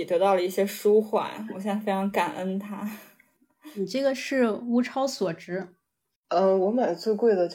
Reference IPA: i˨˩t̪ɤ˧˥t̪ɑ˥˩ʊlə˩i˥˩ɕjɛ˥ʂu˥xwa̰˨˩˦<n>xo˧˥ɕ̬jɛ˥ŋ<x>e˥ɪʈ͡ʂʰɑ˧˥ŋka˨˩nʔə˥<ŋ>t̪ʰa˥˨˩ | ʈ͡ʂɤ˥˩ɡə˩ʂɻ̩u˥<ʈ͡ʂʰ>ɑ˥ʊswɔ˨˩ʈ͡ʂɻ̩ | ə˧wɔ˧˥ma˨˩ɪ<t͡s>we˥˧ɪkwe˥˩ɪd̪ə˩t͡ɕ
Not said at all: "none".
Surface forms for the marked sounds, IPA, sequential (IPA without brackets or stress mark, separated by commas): n, f, n, ʈ͡ʂʰ, t͡s